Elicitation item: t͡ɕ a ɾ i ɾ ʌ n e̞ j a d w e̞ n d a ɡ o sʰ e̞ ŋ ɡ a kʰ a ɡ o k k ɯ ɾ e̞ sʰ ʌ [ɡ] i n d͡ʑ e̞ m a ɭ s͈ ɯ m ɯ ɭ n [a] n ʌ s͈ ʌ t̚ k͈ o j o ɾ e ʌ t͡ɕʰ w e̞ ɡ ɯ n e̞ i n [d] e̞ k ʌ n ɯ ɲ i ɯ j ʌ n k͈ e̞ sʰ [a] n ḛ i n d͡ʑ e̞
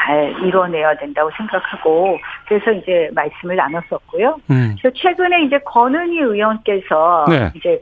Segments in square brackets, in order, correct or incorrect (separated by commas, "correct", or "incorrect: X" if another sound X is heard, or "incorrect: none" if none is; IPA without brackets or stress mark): incorrect: none, correct, incorrect: d͡ʑ, incorrect: ʌ